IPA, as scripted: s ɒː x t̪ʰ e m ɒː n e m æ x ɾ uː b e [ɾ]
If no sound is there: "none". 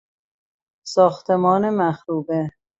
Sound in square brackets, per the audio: none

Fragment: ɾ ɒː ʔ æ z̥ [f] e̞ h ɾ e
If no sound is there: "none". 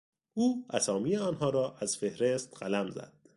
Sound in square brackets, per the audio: f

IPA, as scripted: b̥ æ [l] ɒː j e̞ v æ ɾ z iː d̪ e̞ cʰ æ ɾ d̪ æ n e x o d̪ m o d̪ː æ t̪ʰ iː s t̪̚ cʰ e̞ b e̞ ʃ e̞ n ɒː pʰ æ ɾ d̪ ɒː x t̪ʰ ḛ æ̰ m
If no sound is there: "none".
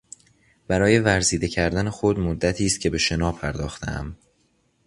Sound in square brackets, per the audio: ɾ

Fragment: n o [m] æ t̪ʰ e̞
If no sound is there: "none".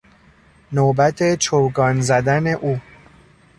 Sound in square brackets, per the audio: b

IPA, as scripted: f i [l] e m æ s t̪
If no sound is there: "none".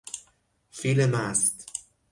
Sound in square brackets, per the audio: l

